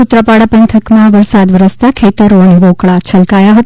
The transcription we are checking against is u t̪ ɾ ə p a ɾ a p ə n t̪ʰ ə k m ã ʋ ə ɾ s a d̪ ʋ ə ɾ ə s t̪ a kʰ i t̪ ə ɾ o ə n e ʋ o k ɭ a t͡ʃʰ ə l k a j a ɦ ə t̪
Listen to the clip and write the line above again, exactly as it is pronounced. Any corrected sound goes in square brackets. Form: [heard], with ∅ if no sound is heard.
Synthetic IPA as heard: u t̪ ɾ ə p a [ɽ] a p ə n t̪ʰ ə k m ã ʋ ə ɾ s a d̪ ʋ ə ɾ ə s t̪ a kʰ [e] t̪ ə ɾ o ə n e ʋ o k ɭ a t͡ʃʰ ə l k a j a ɦ ə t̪